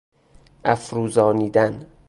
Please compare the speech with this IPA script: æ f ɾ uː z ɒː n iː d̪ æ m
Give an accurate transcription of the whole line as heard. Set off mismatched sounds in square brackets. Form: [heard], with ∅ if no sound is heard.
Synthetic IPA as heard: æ f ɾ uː z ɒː n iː d̪ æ [n]